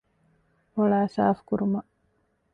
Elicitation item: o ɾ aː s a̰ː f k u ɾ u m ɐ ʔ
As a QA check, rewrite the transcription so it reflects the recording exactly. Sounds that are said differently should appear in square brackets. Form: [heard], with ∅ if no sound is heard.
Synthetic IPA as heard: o [ɭ] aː s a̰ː f k u ɾ u m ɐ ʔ